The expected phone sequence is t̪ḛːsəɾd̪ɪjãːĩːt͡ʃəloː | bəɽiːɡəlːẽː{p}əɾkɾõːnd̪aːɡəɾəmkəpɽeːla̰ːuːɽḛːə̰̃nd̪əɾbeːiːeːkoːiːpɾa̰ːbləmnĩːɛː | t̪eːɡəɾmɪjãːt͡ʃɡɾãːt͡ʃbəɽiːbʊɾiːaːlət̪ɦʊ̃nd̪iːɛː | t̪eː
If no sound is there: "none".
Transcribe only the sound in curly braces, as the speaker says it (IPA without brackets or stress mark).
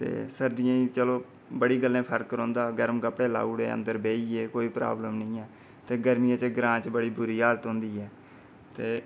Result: pʰ